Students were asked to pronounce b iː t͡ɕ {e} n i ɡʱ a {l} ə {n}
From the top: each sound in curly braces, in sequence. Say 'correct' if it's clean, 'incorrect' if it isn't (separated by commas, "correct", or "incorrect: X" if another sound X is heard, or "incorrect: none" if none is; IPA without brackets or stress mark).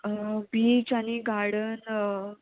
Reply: incorrect: a, incorrect: ɽ, correct